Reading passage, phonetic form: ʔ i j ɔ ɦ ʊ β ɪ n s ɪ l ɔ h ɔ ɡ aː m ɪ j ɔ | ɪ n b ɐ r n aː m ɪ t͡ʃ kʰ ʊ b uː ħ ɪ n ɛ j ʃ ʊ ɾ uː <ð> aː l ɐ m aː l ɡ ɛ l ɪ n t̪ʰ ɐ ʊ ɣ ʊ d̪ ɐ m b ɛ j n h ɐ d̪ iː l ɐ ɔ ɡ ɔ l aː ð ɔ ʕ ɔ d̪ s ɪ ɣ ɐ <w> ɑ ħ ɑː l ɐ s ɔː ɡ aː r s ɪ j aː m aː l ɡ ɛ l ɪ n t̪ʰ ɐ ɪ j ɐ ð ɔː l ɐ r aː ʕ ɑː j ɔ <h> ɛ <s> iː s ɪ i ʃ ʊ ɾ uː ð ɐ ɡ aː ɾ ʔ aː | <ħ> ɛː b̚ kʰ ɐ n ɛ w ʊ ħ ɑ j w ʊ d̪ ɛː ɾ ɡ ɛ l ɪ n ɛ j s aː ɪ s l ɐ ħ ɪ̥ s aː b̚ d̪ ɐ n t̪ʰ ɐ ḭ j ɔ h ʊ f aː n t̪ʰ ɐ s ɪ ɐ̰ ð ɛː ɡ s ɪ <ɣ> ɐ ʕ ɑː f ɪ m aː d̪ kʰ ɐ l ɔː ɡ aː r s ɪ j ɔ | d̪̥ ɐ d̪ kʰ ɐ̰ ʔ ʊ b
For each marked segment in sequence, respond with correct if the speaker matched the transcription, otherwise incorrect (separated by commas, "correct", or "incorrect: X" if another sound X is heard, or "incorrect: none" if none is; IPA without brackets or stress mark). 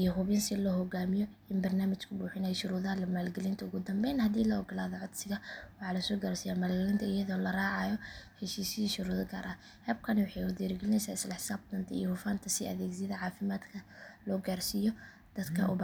correct, correct, correct, incorrect: ʃ, incorrect: h, incorrect: ð